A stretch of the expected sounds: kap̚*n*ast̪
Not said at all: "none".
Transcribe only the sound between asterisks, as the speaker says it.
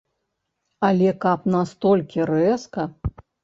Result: n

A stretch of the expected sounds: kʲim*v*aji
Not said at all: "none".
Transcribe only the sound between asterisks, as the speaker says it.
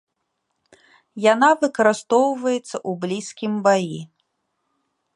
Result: b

